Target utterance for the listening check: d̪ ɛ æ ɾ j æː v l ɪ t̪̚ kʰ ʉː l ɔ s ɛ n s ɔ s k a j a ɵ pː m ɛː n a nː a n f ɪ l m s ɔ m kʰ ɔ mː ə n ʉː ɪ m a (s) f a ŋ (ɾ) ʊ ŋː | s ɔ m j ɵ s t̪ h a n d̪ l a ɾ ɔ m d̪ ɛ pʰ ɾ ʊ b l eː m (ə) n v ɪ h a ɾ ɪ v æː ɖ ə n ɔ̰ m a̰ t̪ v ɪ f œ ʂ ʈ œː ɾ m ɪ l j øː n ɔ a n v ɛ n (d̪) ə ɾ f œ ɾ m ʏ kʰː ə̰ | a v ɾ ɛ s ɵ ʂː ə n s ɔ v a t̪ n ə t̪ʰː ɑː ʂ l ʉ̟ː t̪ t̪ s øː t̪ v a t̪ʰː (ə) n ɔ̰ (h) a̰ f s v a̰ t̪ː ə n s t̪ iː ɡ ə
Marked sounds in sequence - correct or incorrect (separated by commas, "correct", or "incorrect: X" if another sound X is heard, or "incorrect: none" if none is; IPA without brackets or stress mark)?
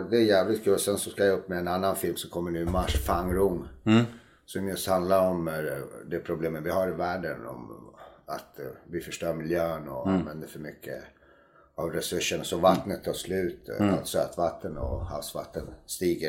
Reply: incorrect: ʂ, correct, correct, correct, correct, correct